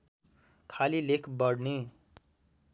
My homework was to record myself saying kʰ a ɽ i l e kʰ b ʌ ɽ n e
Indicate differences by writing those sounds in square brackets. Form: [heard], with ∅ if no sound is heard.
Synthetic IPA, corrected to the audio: kʰ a [l] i l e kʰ b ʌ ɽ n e